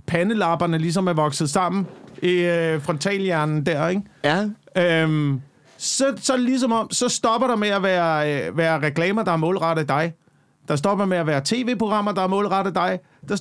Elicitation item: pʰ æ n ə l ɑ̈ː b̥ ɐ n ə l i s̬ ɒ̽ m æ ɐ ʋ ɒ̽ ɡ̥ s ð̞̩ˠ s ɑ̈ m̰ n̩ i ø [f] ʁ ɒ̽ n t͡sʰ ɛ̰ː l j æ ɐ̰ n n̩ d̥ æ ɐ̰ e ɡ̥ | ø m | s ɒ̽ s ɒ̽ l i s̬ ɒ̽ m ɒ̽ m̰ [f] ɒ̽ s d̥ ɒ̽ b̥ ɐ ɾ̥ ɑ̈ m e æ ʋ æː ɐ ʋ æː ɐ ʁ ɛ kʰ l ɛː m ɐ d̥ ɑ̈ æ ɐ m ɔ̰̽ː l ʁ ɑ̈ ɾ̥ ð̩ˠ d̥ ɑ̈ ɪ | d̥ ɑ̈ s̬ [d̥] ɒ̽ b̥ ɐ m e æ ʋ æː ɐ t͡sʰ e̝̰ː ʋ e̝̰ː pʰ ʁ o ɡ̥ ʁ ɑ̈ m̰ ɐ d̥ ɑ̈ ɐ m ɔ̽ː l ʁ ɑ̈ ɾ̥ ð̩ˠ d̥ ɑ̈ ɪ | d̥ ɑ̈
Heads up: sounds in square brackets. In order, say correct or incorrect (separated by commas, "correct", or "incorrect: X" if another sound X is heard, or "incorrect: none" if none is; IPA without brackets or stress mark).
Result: correct, incorrect: s, correct